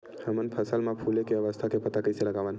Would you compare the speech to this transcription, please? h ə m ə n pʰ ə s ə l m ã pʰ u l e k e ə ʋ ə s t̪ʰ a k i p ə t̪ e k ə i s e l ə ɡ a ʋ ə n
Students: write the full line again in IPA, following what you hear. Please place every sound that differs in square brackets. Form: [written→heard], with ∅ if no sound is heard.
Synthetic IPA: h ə m ə n pʰ ə s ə l m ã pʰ u l e k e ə ʋ ə s t̪ʰ a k [i→e] p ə t̪ [e→a] k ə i s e l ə ɡ a ʋ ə n

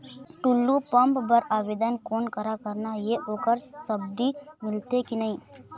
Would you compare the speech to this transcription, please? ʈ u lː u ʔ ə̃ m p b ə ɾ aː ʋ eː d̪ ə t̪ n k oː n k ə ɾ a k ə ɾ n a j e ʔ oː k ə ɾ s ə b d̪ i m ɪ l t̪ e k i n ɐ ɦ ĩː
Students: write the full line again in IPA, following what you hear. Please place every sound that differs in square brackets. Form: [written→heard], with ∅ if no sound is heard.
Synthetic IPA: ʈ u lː u [ʔ→p] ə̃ m p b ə ɾ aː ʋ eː d̪ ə [t̪→∅] n k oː n k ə ɾ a k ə ɾ n a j e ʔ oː k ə ɾ s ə b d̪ i m ɪ l t̪ e k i n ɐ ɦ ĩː

